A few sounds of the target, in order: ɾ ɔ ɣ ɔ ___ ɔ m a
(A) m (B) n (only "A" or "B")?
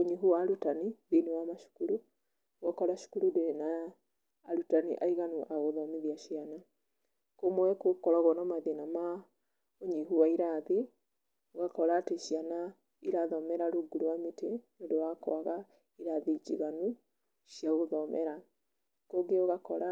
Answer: B